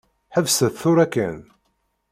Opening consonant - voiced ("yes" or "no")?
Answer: no